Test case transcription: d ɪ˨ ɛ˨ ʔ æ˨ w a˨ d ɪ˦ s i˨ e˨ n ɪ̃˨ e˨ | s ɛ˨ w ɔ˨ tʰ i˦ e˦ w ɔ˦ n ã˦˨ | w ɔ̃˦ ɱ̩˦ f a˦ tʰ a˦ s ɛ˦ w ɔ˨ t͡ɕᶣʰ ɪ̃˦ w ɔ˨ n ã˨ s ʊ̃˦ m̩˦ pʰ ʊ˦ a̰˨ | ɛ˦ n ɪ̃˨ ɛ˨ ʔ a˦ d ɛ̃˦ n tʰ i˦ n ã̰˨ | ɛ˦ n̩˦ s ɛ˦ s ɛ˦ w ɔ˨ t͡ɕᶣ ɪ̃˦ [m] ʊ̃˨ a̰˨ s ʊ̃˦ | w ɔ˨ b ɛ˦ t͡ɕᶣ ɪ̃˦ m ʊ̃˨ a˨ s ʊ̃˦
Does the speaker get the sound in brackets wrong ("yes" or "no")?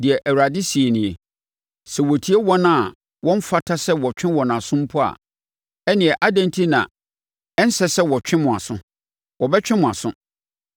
no